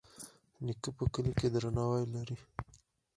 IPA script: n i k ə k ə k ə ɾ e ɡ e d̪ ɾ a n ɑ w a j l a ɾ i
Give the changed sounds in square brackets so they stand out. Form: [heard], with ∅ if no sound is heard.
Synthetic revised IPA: n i k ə [p] ə k ə [l] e [k] e d̪ ɾ a n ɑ w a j l a ɾ i